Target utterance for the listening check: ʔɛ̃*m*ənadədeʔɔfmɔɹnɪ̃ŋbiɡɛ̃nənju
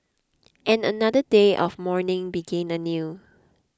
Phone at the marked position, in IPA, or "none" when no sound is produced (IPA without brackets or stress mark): n